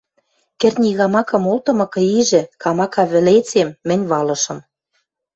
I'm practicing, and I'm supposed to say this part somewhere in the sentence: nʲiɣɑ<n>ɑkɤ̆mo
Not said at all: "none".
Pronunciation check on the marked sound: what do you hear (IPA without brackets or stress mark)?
m